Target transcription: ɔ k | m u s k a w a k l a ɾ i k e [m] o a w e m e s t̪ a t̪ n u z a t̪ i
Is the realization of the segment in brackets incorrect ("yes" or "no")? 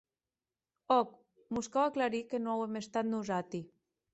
yes